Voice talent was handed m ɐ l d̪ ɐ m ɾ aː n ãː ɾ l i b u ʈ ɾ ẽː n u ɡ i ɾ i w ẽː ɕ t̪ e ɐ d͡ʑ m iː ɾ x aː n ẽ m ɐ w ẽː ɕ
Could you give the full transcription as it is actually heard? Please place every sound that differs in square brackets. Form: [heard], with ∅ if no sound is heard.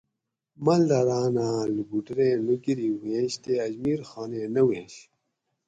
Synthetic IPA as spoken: m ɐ l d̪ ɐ [∅] ɾ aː n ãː [∅] l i b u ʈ ɾ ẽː n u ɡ i ɾ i w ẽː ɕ t̪ e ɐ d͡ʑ m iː ɾ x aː n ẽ [n] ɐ w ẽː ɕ